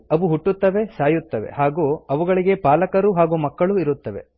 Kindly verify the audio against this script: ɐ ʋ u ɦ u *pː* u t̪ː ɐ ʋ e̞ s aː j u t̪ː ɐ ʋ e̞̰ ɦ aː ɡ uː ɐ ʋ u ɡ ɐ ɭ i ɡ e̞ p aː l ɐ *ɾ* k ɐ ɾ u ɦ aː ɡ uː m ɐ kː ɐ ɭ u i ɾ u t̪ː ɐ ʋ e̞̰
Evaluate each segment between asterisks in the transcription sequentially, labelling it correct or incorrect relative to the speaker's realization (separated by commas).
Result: incorrect, incorrect